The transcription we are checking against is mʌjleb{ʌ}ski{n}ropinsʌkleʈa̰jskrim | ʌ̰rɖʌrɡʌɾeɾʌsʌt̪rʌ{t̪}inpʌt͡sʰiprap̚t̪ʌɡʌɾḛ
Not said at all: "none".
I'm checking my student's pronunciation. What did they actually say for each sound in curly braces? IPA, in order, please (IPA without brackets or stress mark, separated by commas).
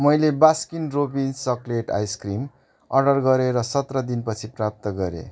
a, n, d̪